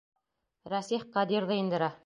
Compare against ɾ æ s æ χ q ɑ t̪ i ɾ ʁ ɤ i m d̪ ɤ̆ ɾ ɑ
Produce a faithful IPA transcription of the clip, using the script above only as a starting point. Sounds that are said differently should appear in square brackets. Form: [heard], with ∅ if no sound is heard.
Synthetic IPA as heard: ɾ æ s [i] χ q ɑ [d̪] i ɾ [ð] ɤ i [n] d̪ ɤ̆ ɾ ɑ